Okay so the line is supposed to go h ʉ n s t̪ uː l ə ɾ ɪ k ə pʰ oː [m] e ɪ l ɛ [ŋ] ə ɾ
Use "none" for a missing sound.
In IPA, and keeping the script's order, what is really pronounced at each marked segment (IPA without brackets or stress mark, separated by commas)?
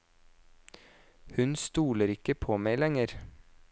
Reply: m, ŋ